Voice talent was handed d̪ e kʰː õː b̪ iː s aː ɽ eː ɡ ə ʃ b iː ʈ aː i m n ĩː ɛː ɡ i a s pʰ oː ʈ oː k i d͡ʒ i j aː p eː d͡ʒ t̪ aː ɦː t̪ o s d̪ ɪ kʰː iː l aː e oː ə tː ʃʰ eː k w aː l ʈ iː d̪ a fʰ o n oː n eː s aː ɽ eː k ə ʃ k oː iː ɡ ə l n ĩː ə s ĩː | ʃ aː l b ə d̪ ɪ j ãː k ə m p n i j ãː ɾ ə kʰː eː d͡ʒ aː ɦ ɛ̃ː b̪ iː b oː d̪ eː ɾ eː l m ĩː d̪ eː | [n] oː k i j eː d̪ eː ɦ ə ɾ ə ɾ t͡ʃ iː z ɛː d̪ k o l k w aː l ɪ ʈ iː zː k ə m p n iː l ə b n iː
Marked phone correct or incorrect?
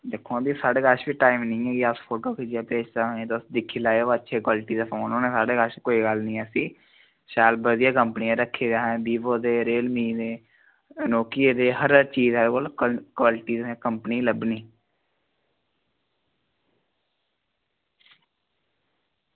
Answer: correct